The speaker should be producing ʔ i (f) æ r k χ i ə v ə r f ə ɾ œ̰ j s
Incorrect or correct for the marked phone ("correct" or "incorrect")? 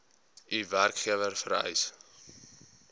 incorrect